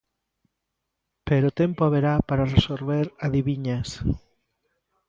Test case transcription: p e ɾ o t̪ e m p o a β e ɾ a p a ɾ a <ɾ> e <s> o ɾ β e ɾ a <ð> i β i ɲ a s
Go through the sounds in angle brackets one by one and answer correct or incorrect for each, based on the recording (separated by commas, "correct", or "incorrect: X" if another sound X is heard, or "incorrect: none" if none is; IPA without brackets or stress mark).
incorrect: r, correct, correct